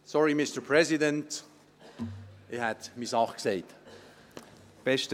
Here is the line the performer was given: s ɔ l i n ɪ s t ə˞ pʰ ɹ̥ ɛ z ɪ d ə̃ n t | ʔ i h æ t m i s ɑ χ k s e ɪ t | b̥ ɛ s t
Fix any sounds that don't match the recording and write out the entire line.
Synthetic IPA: s ɔ ɹ i m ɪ s t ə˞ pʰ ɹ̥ ɛ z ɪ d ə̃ n t | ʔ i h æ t m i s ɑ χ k s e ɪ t | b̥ ɛ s t